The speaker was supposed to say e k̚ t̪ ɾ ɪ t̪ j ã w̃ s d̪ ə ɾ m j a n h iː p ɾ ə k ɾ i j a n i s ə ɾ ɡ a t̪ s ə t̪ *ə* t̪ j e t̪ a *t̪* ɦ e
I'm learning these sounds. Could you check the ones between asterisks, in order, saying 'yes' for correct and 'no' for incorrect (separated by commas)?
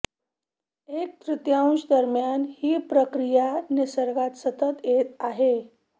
yes, no